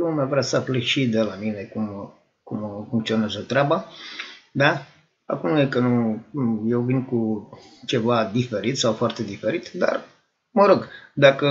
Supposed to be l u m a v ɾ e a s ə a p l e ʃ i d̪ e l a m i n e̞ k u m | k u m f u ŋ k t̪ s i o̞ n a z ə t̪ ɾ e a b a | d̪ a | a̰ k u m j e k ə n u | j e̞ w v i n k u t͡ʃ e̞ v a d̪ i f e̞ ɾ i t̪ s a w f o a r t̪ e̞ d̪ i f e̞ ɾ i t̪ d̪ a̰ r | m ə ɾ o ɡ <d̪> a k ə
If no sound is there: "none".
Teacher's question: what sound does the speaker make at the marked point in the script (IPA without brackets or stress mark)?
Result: d̪